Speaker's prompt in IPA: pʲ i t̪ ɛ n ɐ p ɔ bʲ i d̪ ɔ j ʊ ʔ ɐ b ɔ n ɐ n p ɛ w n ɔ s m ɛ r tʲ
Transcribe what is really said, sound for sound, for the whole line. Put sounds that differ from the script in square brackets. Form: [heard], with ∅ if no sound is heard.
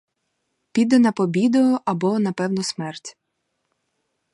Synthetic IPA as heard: pʲ i [d̪] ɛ n ɐ p ɔ bʲ i d̪ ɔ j ʊ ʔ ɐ b ɔ n ɐ [∅] p ɛ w n ɔ s m ɛ r tʲ